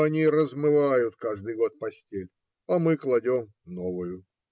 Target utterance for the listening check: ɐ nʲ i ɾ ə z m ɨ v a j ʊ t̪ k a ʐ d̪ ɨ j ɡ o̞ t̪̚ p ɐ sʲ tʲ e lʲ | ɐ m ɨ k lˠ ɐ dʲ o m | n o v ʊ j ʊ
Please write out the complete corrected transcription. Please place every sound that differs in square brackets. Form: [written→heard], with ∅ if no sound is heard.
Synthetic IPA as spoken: ɐ nʲ i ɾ ə z m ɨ v a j ʊ t̪ k a ʐ d̪ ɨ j ɡ o̞ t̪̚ p ɐ sʲ tʲ e lʲ | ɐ m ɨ k lˠ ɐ dʲ o m | n o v ʊ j ʊ